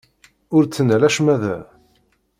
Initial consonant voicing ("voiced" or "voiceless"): voiced